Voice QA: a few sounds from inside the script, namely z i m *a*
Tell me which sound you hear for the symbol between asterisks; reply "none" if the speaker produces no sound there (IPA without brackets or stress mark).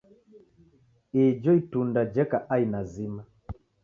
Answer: a